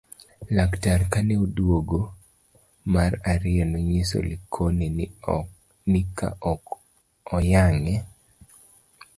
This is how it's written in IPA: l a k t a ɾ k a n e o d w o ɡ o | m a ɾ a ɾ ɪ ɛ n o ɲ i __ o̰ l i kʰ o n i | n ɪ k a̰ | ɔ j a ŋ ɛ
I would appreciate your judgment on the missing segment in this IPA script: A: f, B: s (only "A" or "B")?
B